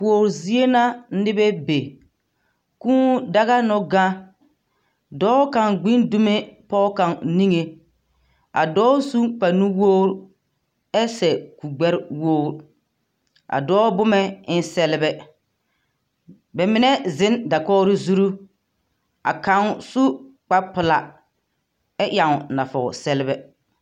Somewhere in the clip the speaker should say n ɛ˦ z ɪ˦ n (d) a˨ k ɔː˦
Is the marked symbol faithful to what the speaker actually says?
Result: yes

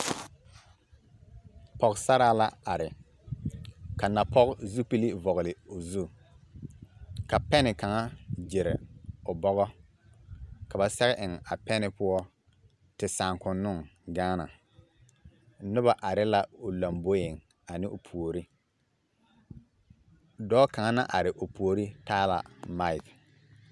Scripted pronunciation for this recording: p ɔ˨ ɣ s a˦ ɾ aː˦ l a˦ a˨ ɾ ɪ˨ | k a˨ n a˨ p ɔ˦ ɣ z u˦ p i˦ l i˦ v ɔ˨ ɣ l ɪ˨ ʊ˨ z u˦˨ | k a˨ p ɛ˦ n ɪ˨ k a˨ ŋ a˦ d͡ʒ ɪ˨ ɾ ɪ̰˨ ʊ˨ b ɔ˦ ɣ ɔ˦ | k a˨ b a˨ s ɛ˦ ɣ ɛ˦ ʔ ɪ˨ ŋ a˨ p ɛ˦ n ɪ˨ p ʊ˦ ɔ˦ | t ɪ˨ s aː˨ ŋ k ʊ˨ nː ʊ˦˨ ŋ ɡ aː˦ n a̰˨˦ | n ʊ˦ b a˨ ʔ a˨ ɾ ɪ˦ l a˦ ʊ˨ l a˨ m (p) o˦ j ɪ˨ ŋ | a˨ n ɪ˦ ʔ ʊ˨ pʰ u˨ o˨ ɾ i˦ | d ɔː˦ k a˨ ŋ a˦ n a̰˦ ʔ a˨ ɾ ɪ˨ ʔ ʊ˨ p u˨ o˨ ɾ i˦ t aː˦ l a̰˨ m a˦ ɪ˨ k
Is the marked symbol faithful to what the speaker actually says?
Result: no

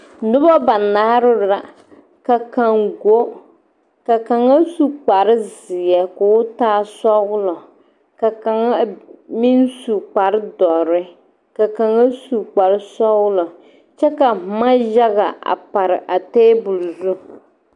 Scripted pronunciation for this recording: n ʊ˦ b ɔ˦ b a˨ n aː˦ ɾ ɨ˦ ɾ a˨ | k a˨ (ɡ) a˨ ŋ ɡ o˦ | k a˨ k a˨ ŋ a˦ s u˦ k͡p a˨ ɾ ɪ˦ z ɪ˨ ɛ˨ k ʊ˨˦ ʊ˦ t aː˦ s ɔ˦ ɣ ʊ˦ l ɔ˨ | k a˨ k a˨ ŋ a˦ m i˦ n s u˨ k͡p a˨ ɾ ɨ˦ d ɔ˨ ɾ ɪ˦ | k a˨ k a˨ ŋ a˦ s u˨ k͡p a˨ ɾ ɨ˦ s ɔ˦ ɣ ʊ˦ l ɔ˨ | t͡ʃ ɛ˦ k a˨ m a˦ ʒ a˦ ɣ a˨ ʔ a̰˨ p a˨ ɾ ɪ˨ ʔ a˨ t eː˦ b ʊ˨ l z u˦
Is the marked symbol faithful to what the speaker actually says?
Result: no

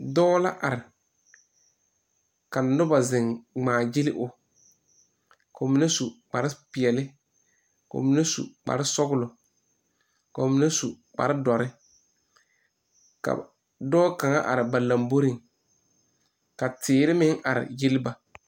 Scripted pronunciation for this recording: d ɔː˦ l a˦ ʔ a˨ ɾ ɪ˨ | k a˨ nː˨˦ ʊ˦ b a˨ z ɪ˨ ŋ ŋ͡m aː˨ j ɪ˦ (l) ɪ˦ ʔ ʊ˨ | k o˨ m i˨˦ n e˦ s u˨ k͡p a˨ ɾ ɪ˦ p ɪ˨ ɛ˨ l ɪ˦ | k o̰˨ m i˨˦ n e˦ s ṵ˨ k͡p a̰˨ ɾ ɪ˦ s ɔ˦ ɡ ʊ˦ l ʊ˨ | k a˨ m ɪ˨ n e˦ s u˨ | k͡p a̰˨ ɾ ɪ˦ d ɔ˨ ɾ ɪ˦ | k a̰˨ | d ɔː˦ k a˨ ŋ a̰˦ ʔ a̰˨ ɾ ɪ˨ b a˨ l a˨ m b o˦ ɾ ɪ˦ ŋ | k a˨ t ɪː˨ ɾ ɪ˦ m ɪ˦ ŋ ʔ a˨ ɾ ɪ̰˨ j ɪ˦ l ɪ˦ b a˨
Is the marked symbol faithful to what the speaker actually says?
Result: yes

